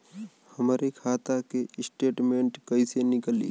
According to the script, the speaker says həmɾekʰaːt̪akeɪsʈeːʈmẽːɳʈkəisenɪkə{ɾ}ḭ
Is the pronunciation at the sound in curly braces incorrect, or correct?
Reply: incorrect